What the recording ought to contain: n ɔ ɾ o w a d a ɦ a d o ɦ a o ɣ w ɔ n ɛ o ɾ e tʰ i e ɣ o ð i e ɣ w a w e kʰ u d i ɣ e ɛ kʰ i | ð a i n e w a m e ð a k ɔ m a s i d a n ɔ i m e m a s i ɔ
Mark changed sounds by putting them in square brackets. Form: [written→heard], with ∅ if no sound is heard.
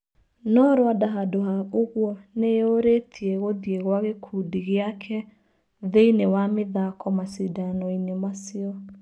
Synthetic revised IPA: n ɔ ɾ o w a d a ɦ a d o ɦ a o ɣ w ɔ n [ɛ→e] o ɾ e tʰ i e ɣ o ð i e ɣ w a [w→ɣ] e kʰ u d i ɣ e [ɛ→a] kʰ [i→ɛ] | ð [a→e] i n e w a m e ð a k ɔ m a s i d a n ɔ i [m→n] e m a s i ɔ